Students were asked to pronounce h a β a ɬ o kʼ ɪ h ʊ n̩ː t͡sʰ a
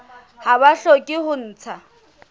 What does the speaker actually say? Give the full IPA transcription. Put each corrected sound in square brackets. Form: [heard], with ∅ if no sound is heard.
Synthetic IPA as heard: h a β a ɬ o kʼ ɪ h ʊ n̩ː t͡sʰ a